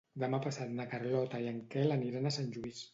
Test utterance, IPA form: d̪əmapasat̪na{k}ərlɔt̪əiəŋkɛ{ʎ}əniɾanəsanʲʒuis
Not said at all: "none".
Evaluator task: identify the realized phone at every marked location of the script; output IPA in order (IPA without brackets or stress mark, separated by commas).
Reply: k, l